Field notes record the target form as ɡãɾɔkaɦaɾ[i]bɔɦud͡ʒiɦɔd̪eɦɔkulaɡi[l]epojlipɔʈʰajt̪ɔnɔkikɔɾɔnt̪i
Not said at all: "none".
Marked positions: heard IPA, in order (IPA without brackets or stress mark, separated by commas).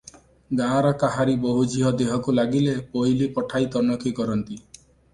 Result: i, l